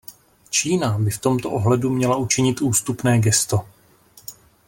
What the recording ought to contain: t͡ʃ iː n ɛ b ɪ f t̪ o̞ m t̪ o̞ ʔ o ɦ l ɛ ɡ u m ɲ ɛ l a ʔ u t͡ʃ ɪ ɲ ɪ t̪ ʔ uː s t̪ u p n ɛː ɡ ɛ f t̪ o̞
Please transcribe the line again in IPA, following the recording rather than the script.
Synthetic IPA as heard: t͡ʃ iː n a b ɪ f t̪ o̞ m t̪ o̞ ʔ o ɦ l ɛ d u m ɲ ɛ l a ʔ u t͡ʃ ɪ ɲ ɪ t̪ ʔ uː s t̪ u p n ɛː ɡ ɛ s t̪ o̞